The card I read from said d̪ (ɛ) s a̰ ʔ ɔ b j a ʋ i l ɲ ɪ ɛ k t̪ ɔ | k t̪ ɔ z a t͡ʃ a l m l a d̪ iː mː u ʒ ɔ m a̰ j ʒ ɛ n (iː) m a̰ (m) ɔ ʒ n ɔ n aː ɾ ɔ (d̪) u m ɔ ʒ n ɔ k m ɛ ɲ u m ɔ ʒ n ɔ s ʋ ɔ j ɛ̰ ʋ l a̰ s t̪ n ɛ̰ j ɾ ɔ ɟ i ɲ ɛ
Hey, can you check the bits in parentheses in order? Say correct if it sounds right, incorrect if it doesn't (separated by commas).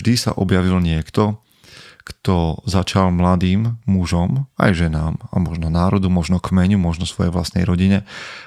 incorrect, incorrect, correct, correct